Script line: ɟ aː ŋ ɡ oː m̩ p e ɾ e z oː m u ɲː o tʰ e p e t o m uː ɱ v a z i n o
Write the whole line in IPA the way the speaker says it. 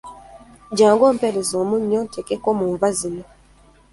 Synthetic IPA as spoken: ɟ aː ŋ ɡ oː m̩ p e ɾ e z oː m u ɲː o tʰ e k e k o m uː ɱ v a z i n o

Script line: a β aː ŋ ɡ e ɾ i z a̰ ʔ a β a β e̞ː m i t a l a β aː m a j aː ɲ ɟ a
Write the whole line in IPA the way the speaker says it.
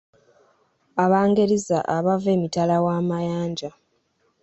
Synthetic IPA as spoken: a β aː ŋ ɡ e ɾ i z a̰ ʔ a β a v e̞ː m i t a l a w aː m a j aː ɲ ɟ a

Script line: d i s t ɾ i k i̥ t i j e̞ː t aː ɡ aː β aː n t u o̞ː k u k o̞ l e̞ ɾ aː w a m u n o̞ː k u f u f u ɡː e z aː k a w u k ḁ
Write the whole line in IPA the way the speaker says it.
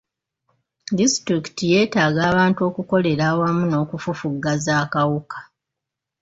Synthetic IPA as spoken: d i s t ɾ i k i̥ t i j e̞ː t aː ɡ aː β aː n t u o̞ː k u k o̞ l e̞ ɾ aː w a m u n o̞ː k u f u f u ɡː a z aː k a w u k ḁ

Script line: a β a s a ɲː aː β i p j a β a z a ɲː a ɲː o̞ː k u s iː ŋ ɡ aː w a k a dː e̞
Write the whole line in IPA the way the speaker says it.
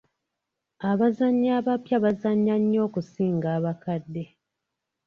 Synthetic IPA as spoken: a β a z a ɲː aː β a p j a β a z a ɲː a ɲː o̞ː k u s iː ŋ ɡ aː β a k a dː e̞

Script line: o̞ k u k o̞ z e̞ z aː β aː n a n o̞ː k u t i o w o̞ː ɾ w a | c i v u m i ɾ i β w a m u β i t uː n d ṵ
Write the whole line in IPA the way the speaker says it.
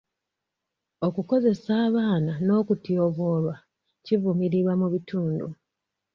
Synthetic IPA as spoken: o̞ k u k o̞ z e̞ s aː β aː n a n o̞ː k u t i o β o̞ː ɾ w a | c i v u m i ɾ i β w a m u β i t uː n d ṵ

